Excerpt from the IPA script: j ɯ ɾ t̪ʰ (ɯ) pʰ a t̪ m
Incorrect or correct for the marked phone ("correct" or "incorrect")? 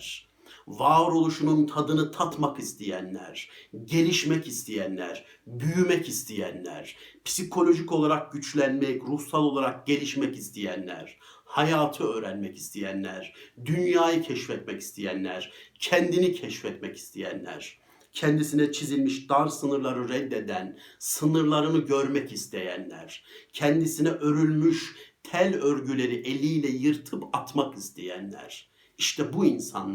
correct